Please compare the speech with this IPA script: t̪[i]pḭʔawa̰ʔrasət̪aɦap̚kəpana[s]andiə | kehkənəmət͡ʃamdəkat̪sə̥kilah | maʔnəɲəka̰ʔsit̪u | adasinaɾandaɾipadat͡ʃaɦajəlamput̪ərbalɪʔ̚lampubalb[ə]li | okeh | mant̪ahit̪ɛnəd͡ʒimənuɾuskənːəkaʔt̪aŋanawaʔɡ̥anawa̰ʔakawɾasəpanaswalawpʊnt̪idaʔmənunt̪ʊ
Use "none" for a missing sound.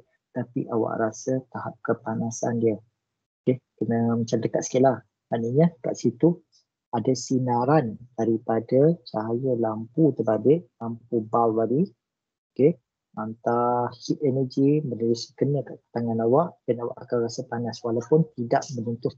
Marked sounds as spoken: a, s, a

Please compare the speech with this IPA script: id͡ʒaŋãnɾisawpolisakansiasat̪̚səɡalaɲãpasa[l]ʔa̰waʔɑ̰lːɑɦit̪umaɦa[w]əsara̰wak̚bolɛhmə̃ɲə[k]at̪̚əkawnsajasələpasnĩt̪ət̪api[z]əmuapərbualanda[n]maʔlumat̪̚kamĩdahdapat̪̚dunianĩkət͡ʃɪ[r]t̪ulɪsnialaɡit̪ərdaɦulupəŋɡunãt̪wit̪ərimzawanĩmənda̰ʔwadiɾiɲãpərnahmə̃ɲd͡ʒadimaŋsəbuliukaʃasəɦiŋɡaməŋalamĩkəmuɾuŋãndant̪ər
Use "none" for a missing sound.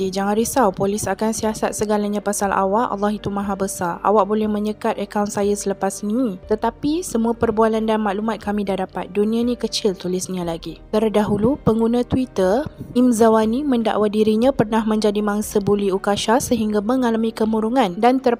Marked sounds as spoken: l, b, k, s, n, l

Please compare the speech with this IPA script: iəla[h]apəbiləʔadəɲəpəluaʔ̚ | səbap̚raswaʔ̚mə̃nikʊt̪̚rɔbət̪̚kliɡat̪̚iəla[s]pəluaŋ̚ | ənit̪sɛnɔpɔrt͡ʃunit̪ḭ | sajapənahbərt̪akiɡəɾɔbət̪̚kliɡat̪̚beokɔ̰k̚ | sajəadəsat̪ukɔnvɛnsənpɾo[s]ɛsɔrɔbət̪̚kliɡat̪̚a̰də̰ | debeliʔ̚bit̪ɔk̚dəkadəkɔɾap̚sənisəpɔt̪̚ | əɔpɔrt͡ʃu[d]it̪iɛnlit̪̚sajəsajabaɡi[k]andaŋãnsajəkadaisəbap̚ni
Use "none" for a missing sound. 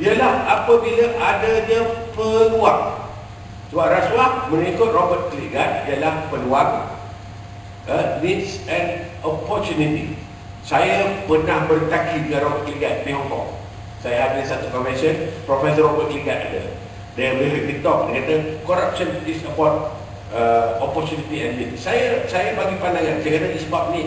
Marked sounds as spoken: h, h, f, n, p

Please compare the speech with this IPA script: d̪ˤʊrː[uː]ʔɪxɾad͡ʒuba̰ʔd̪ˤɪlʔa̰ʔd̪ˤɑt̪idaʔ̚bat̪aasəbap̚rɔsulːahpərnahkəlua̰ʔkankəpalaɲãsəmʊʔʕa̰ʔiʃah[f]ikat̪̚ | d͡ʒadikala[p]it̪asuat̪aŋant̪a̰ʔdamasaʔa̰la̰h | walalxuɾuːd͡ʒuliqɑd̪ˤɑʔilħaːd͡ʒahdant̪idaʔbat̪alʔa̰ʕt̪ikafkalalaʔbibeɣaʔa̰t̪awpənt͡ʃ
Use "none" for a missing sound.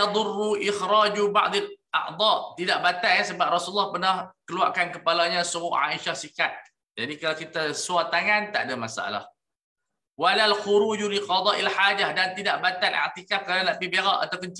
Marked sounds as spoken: u, s, k

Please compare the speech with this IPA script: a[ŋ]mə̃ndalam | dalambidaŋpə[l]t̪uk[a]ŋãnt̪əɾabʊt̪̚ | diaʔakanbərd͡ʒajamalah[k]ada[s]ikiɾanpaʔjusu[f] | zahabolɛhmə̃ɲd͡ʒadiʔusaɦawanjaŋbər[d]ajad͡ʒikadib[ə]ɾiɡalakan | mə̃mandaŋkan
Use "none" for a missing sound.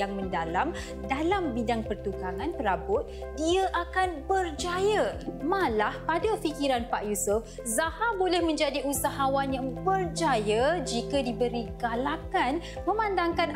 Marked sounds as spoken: ŋ, r, a, p, f, f, d͡ʒ, ə

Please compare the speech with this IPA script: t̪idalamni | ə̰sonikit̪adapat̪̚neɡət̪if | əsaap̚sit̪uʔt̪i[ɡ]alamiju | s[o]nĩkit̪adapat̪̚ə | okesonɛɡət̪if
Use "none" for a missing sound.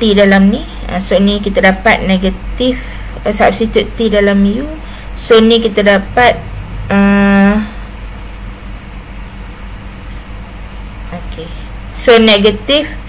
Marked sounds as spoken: d, o

